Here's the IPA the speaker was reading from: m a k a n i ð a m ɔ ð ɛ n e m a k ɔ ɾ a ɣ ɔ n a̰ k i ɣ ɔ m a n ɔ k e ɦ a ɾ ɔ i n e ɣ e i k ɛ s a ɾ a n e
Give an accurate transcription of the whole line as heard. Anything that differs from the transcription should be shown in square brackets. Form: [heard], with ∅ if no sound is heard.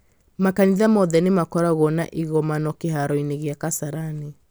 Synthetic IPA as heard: m a k a n i ð a m ɔ ð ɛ n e m a k ɔ ɾ a ɣ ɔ n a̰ [ʔ] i ɣ ɔ m a n ɔ k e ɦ a ɾ ɔ i n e ɣ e [a] k [a] s a ɾ a n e